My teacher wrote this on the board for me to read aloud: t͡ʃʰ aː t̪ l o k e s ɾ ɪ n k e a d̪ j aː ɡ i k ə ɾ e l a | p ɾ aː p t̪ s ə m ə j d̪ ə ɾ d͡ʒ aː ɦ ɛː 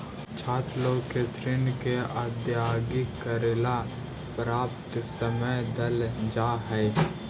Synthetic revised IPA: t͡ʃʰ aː t̪ l o k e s ɾ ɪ n k e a d̪ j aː ɡ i k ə ɾ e l a | p ɾ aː p t̪ s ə m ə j d̪ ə l d͡ʒ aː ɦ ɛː